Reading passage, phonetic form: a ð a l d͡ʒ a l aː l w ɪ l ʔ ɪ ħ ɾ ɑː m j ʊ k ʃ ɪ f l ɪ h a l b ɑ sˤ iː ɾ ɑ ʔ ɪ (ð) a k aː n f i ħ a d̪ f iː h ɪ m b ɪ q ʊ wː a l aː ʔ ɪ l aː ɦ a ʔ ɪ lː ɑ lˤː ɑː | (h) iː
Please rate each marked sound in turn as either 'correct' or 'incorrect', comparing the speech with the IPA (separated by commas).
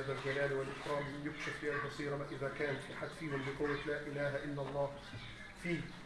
correct, incorrect